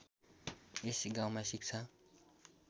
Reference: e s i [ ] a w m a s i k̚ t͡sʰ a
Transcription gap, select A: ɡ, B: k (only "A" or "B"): A